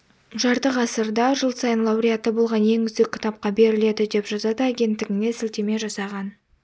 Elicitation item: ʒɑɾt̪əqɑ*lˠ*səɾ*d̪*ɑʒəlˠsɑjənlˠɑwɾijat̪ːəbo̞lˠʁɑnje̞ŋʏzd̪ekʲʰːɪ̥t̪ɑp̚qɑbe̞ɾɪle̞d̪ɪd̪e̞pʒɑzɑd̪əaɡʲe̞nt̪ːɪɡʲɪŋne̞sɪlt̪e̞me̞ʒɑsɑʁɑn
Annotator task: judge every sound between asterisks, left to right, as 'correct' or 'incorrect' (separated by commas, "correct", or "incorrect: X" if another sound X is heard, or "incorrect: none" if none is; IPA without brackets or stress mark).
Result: incorrect: none, correct